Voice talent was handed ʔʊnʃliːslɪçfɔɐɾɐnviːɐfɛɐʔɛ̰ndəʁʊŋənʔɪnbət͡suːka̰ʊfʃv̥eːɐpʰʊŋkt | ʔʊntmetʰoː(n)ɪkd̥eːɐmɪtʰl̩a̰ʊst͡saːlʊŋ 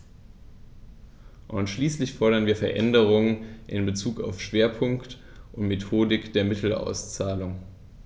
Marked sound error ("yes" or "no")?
yes